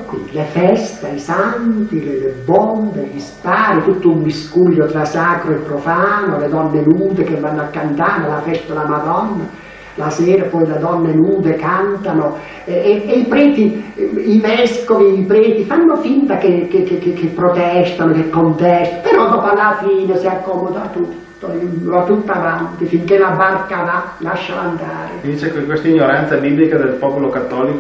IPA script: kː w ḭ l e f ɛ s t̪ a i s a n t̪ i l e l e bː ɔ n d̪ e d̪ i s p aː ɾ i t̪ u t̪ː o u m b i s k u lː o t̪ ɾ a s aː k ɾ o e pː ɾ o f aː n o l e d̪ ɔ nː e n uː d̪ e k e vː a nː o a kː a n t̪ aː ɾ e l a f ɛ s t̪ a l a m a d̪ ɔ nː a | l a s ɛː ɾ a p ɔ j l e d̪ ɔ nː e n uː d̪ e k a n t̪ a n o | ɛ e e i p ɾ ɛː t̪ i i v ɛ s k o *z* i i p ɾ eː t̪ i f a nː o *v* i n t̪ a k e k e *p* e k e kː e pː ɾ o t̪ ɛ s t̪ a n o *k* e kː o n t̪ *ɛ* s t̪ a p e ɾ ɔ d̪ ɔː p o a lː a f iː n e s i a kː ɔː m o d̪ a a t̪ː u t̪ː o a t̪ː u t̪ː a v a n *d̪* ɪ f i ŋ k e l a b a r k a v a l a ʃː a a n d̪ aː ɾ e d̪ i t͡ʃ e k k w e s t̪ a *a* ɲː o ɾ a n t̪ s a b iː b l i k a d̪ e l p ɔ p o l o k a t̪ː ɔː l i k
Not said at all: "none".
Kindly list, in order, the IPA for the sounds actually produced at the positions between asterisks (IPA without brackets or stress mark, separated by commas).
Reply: v, f, k, k, ɛ, t̪, i